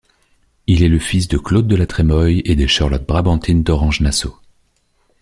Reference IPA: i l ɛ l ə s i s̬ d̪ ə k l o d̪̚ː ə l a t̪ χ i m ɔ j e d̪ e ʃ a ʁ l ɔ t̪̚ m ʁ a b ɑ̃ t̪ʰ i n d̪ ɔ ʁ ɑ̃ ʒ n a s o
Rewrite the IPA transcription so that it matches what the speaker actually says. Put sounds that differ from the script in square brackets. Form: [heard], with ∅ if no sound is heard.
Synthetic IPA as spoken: i l ɛ l ə [f] i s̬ d̪ ə k l o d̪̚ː ə l a t̪ χ [ɛ] m ɔ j e d̪ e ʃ a ʁ l ɔ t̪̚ [b] ʁ a b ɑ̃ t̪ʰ i n d̪ ɔ ʁ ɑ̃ ʒ n a s o